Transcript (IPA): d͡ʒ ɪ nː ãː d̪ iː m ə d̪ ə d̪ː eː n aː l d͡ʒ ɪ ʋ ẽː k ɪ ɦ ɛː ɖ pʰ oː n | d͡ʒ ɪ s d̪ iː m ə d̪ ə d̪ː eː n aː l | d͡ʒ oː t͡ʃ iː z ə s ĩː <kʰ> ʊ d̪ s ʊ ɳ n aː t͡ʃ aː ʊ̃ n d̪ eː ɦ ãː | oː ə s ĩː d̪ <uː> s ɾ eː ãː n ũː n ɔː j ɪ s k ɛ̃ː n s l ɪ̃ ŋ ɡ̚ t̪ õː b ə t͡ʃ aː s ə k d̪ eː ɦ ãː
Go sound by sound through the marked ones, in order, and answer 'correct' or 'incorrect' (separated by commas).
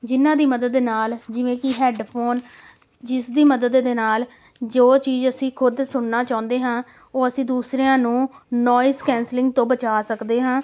correct, correct